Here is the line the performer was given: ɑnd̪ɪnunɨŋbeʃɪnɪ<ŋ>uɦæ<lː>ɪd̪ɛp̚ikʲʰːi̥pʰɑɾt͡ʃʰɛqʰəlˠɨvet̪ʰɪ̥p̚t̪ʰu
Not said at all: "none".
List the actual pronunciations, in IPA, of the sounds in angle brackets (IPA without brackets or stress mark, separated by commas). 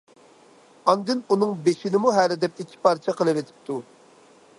m, l